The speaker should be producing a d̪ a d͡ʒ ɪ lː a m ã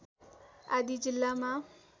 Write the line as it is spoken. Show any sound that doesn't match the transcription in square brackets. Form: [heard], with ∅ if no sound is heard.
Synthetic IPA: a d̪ [i] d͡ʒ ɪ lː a m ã